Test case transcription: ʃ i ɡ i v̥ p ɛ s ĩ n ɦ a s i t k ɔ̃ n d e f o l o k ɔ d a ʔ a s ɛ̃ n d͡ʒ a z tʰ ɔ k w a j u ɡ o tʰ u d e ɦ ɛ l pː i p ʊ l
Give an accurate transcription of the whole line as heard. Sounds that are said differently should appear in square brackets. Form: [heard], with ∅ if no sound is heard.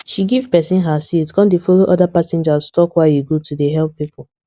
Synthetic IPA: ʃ i ɡ i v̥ p ɛ s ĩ n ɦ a s i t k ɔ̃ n d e f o l o [ʔ] ɔ d a [p] a s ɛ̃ n d͡ʒ a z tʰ ɔ k w a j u ɡ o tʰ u d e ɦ ɛ l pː i p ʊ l